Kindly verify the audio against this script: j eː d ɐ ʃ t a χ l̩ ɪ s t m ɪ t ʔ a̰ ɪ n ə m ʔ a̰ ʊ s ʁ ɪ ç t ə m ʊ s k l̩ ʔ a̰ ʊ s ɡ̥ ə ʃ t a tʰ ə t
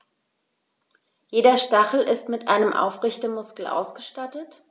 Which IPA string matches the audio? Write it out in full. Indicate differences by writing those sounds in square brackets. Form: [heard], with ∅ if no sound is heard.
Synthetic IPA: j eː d ɐ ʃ t a χ l̩ ɪ s t m ɪ t ʔ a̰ ɪ n ə m ʔ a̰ ʊ [f] ʁ ɪ ç t ə m ʊ s k l̩ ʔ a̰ ʊ s ɡ̥ ə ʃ t a [t] ə t